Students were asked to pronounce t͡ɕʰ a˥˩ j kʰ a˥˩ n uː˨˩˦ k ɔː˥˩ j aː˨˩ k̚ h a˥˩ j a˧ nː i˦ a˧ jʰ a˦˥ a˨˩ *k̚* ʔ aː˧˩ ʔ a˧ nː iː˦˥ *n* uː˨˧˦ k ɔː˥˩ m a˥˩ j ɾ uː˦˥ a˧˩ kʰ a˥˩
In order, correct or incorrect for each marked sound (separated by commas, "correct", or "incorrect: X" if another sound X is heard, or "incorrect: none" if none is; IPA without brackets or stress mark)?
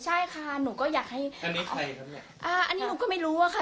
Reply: incorrect: none, correct